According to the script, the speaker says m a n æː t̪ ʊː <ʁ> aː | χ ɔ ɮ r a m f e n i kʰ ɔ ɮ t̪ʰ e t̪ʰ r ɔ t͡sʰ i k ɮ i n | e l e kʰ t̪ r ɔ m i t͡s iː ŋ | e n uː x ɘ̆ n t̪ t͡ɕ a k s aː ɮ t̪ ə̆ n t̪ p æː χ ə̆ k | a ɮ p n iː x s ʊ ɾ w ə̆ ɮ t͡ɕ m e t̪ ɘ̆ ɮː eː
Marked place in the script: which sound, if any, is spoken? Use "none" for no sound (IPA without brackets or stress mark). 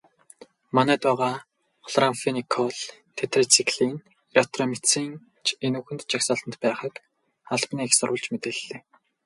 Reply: ʁ